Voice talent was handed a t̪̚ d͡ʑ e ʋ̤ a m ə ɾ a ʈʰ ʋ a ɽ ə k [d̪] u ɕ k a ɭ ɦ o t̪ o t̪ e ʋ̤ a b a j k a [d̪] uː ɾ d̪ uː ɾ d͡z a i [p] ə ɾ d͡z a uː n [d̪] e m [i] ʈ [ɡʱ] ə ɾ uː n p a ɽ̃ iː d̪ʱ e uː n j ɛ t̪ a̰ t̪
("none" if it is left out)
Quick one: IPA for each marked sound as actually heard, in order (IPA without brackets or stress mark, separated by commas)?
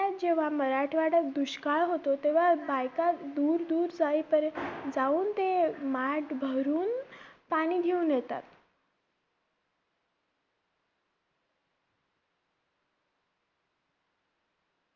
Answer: d̪, d̪, p, t̪, a, bʱ